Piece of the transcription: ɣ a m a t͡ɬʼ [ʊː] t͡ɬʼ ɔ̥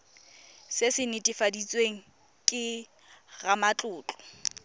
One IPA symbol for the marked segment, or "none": ʊː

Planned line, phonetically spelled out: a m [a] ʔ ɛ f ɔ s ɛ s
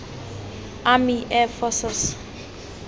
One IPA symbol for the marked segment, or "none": i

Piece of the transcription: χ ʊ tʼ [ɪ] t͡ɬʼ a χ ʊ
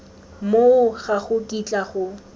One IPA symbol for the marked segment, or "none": i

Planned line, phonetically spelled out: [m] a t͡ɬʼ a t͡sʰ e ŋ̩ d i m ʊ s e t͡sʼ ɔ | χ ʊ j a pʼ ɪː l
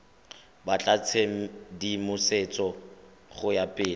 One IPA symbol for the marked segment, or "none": b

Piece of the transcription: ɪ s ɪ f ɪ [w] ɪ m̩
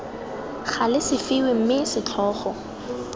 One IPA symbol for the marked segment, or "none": w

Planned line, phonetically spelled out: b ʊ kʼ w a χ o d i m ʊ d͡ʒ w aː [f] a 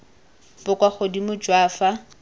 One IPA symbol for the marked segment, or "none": f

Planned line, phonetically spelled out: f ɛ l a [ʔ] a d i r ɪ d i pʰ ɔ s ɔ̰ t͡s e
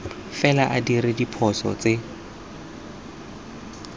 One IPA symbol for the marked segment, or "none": ʔ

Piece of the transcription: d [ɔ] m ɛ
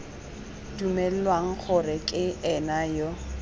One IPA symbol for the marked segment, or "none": u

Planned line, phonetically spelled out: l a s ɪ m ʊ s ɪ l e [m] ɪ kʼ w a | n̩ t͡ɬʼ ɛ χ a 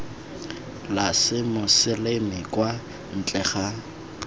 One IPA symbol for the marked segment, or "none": m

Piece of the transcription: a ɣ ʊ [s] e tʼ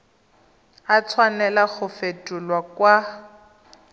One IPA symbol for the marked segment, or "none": f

